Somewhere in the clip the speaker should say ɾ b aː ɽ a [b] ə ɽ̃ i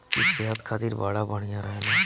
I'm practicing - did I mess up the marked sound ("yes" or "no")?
no